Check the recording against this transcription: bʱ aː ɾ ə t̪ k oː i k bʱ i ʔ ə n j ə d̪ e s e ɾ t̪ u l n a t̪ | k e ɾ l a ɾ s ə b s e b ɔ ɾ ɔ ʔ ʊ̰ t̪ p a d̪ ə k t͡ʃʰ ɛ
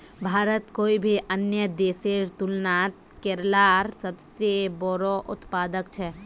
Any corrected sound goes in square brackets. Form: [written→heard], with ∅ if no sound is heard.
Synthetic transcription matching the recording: bʱ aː ɾ ə t̪ k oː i [k→∅] bʱ i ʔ ə n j ə d̪ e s e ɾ t̪ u l n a t̪ | k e ɾ l a ɾ s ə b s e b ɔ ɾ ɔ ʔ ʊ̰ t̪ p a d̪ ə k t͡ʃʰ ɛ